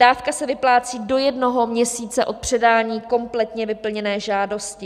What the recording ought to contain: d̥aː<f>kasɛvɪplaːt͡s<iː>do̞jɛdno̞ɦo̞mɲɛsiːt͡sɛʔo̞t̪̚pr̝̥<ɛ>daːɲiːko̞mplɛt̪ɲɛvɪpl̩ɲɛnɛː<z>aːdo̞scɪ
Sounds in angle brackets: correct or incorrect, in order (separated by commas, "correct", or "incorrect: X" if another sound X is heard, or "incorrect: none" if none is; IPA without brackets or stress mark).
correct, correct, correct, incorrect: ʒ